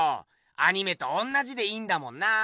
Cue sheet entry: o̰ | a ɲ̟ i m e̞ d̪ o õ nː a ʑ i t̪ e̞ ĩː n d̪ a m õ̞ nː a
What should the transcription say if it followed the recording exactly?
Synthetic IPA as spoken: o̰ | a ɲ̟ i m e̞ t̪ o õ nː a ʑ i d̪ e̞ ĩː n d̪ a m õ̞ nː a